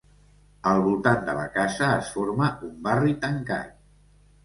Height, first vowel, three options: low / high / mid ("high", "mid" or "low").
mid